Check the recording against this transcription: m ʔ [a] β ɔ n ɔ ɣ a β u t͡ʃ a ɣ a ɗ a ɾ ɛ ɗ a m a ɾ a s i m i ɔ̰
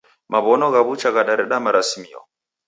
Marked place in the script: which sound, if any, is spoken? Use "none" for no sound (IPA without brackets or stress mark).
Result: a